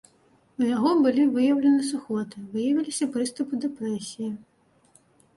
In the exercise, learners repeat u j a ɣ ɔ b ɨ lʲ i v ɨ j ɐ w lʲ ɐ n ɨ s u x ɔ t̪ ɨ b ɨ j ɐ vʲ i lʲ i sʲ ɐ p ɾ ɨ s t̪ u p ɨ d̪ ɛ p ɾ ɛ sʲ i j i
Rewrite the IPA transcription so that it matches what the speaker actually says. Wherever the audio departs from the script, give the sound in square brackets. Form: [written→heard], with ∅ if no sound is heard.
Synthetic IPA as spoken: u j a ɣ ɔ b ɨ lʲ i v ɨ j ɐ w lʲ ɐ n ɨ s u x ɔ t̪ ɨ [b→v] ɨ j ɐ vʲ i lʲ i sʲ ɐ p ɾ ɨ s t̪ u p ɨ d̪ ɛ p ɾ ɛ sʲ i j i